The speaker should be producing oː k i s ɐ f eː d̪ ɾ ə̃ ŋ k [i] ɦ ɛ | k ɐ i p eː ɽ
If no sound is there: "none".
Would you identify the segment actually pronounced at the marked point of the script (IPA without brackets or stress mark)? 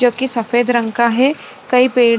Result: a